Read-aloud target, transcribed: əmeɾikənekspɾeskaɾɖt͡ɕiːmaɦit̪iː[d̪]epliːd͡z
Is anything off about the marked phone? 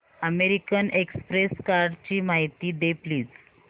no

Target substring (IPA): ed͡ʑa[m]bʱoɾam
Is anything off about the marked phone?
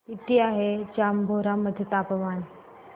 no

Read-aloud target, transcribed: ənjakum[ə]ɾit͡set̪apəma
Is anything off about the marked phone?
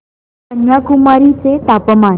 yes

